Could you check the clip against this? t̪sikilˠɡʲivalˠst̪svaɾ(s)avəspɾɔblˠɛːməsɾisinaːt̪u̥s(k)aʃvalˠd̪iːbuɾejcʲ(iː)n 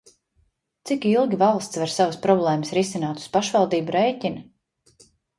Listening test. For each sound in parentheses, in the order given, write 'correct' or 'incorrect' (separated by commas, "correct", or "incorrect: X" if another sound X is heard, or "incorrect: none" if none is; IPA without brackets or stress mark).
correct, incorrect: p, incorrect: i